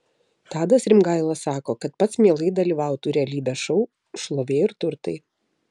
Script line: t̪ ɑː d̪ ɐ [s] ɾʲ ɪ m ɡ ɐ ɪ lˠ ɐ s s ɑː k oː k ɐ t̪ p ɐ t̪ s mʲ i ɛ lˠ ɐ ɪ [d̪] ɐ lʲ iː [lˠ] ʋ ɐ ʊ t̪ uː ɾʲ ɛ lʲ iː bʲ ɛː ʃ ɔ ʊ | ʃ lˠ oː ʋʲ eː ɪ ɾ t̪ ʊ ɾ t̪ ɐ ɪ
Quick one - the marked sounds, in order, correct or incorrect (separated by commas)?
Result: correct, correct, incorrect